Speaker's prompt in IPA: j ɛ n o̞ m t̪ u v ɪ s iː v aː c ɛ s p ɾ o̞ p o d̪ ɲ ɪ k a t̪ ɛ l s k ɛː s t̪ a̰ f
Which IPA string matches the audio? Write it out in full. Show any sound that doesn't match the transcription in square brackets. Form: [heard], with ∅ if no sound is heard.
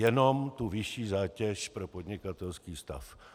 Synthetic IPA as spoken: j ɛ n o̞ m t̪ u v ɪ [ʃ] iː [z] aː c ɛ [ʃ] p ɾ o̞ p o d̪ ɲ ɪ k a t̪ ɛ l s k [iː] s t̪ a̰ f